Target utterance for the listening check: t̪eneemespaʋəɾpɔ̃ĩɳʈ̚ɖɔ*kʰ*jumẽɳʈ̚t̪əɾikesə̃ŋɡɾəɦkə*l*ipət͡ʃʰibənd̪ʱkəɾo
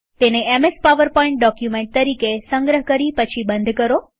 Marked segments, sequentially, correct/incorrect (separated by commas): incorrect, incorrect